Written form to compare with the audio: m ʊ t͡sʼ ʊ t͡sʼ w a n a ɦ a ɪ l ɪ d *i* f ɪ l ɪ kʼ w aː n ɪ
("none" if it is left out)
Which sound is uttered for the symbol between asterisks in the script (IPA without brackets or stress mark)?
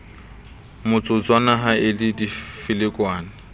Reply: i